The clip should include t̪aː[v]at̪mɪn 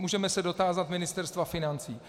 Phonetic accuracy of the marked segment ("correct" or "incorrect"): incorrect